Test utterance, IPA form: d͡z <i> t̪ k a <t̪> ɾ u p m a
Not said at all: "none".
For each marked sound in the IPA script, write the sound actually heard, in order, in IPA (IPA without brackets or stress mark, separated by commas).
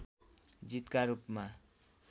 i, none